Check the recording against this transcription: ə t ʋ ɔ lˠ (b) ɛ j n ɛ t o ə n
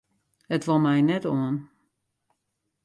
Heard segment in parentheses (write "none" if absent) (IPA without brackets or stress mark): m